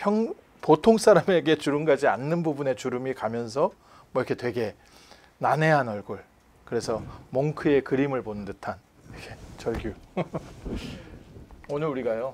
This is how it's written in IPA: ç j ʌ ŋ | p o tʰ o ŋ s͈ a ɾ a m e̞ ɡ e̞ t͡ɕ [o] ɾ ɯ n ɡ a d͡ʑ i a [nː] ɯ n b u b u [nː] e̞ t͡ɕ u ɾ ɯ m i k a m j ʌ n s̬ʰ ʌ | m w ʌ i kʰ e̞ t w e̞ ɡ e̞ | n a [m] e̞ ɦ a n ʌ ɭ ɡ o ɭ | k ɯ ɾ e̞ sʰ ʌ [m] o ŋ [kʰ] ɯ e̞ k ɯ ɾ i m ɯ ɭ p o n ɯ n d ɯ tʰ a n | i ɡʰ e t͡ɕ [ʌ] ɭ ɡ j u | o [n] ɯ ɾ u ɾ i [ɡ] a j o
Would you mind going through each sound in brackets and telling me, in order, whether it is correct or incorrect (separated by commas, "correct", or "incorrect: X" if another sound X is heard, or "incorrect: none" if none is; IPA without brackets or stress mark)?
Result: incorrect: u, correct, incorrect: n, incorrect: n, correct, correct, correct, correct, correct